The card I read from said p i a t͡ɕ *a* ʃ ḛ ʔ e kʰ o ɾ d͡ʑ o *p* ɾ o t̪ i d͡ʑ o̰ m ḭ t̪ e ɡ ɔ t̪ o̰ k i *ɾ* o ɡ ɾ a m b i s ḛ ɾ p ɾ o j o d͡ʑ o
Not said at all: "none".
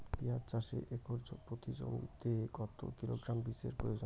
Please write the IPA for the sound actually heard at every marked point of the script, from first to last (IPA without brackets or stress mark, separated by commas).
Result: a, p, l